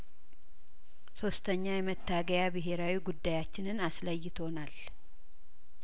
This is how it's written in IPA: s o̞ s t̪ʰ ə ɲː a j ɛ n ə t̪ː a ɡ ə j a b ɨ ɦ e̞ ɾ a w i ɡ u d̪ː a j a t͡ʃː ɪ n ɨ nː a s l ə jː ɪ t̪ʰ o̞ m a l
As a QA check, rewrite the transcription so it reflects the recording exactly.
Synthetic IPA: s o̞ s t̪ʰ ə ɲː a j ɛ m ə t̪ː a ɡ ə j a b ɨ ɦ e̞ ɾ a w i ɡ u d̪ː a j a t͡ʃː ɪ n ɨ n a s l ə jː ɪ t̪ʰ o̞ n a l